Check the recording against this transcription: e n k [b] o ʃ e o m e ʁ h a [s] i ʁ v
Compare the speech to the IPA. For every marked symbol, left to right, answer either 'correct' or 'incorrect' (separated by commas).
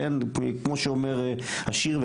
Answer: incorrect, incorrect